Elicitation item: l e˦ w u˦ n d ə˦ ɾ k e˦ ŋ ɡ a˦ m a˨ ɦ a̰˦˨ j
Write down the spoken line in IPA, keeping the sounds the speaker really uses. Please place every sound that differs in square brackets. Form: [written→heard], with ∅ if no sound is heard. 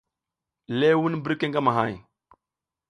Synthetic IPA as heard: l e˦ w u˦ n [d→b] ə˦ ɾ k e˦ ŋ ɡ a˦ m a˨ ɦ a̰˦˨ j